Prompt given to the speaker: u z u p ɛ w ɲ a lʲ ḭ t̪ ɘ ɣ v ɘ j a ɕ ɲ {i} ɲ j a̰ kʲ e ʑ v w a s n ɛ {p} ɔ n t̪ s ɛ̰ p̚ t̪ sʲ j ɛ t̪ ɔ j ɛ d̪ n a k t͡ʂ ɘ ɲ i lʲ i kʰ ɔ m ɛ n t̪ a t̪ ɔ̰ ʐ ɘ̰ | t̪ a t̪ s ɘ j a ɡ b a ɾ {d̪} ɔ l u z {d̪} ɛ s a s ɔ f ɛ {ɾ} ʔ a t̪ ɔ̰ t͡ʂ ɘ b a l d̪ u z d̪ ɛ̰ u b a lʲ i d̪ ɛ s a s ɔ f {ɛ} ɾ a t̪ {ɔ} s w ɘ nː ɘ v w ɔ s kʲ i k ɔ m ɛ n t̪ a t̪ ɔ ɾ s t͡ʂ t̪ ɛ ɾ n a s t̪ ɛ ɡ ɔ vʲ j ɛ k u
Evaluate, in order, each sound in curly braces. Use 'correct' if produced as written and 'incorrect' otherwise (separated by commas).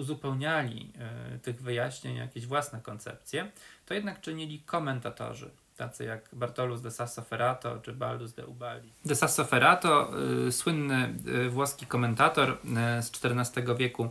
incorrect, incorrect, incorrect, correct, correct, correct, correct